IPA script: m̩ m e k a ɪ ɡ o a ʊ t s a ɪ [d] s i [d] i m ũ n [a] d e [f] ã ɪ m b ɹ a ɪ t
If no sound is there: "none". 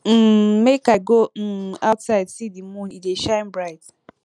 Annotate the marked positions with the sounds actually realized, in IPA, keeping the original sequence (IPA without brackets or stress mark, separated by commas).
d, d, i, ʃ